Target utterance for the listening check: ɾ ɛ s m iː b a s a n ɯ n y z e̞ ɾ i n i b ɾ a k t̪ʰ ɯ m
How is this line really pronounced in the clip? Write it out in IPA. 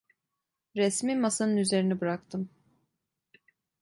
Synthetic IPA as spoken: ɾ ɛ s m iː m a s a n ɯ n y z e̞ ɾ i n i b ɾ a k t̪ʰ ɯ m